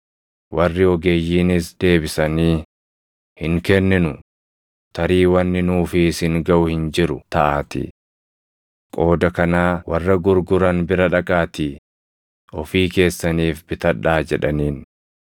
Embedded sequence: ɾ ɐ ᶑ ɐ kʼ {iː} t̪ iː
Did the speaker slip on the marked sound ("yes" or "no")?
yes